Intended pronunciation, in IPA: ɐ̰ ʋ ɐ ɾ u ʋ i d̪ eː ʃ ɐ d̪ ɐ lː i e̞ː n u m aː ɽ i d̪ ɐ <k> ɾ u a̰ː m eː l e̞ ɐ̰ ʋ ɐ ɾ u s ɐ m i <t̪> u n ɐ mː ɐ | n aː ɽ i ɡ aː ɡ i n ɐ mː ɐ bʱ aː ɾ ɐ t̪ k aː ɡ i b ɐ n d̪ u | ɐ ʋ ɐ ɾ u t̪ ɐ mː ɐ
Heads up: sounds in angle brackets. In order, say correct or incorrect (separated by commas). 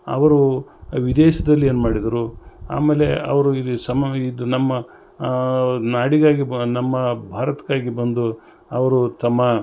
incorrect, incorrect